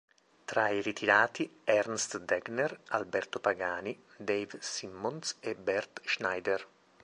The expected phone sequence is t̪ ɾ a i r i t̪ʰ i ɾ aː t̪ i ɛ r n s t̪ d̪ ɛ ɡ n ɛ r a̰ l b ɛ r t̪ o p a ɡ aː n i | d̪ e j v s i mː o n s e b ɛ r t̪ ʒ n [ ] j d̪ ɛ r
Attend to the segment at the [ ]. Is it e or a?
a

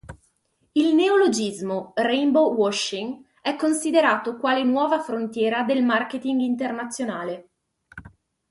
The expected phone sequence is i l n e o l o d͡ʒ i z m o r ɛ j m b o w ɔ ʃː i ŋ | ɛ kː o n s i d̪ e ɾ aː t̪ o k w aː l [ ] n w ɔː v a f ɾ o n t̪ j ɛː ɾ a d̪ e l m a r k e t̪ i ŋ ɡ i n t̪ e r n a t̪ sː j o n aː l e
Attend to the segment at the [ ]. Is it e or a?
e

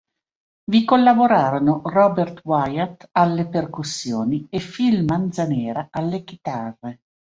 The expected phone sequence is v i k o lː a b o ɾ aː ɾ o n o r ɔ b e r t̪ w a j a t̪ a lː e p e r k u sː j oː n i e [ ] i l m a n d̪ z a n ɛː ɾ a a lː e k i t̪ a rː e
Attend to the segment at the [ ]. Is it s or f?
f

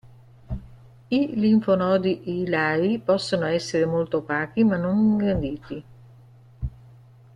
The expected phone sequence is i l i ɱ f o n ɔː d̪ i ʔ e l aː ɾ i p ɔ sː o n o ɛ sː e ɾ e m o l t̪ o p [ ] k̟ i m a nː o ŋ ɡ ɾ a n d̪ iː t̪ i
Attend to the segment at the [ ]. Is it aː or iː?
aː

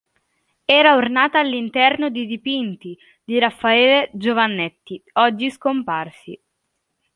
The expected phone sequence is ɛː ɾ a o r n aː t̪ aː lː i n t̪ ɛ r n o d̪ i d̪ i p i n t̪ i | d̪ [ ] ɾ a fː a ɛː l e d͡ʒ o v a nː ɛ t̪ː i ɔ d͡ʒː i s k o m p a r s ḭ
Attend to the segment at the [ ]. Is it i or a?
i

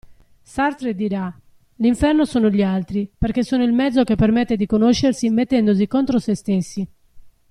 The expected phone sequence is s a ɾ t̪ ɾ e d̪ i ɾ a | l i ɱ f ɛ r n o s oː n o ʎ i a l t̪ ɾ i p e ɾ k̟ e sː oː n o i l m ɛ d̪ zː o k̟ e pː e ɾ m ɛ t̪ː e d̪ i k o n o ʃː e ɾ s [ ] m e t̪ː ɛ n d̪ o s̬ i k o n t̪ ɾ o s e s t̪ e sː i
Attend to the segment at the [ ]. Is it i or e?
i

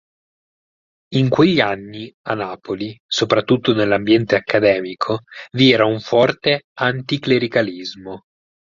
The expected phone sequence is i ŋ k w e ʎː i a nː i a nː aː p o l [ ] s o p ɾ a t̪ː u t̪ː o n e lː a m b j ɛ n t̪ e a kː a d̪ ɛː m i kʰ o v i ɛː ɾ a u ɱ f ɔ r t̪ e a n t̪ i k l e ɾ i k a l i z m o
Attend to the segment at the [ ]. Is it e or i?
i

